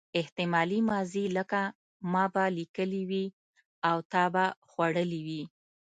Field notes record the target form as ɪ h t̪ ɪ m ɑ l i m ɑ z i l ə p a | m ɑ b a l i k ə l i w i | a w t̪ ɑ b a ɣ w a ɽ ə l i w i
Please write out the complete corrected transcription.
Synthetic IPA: ɪ h t̪ ɪ m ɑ l i m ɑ z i l ə k a | m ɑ b a l i k ə l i w i | a w t̪ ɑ b a x w a ɽ ə l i w i

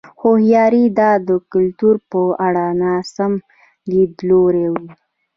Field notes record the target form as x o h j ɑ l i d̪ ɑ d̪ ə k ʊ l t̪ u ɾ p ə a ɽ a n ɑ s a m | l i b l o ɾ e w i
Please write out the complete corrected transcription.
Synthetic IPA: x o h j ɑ ɾ i d̪ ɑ d̪ ə k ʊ l t̪ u ɾ p ə a ɽ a n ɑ s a m | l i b l o ɾ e w i

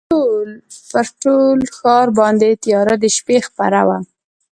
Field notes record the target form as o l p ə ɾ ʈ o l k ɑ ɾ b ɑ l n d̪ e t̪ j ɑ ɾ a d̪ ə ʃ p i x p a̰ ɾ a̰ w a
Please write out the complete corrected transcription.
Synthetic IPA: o l p ə ɾ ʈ o l x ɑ ɾ b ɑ n d̪ e t̪ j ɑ ɾ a d̪ ə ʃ p e x p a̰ ɾ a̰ w a

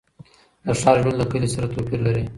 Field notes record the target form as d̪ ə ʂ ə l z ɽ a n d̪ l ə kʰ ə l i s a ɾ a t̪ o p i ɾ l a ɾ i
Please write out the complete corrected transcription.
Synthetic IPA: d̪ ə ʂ ɑ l ʒ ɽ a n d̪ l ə k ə l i s a ɾ a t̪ o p i ɾ l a ɾ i

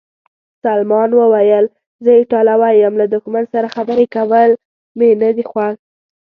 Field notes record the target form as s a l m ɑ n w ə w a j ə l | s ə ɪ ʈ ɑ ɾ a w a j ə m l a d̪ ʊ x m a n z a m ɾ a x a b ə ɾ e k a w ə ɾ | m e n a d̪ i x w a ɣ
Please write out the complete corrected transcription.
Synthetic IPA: s a l m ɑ n w ə w a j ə l | z ə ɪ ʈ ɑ l a w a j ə m l a d̪ ʊ x m a n s a ɾ a x a b ə ɾ e k a w ə l | m e n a d̪ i x w a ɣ

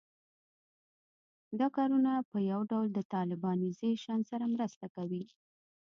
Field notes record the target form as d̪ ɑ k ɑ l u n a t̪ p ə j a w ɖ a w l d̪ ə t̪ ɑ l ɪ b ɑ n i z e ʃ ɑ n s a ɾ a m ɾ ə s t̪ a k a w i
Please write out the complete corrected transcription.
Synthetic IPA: d̪ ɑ k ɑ ɾ u n a p ə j a w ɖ a w l d̪ ə t̪ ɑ l ɪ b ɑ n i z e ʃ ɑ n s a ɾ a m ɾ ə s t̪ a k a w i

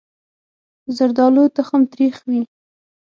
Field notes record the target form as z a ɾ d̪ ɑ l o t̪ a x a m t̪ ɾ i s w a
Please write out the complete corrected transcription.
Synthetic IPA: z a ɾ d̪ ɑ l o t̪ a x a m t̪ ɾ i x w i

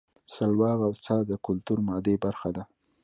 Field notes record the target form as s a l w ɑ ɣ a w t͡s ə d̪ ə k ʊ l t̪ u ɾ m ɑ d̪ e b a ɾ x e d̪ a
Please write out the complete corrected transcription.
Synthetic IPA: s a l w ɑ ɣ a w t͡s ɑ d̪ ə k ʊ l t̪ u ɾ m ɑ d̪ e b a ɾ x a d̪ a

